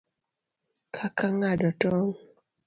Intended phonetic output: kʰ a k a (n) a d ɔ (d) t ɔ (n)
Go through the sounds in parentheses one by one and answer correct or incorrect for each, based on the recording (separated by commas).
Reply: incorrect, incorrect, incorrect